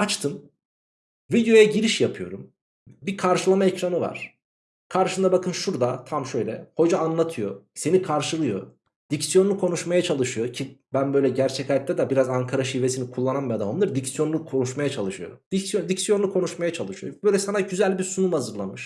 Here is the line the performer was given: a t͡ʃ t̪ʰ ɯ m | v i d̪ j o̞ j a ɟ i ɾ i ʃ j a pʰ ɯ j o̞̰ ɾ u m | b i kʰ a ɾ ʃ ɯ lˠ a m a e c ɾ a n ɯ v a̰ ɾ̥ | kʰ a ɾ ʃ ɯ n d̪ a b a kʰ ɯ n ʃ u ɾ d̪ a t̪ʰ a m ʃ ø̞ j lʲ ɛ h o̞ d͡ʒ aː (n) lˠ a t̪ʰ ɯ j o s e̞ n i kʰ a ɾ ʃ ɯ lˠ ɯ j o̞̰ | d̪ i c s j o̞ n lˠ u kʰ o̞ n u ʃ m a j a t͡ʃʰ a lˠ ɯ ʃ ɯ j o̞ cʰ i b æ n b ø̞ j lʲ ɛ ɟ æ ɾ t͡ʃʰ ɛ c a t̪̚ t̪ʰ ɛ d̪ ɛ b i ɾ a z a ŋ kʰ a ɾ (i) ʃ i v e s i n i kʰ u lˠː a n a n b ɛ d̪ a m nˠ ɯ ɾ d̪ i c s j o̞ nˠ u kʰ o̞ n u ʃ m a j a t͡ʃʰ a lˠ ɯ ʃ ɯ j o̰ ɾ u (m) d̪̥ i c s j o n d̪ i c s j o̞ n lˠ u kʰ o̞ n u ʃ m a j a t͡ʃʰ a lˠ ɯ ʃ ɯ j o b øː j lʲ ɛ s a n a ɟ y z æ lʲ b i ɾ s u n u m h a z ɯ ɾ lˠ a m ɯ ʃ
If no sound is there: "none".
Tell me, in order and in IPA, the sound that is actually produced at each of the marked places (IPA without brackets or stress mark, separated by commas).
n, a, m